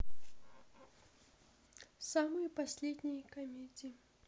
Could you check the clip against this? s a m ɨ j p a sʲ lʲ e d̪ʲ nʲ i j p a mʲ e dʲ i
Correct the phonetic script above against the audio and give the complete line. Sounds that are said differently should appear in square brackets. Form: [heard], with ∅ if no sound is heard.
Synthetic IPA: s a m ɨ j p a sʲ lʲ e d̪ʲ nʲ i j [k] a mʲ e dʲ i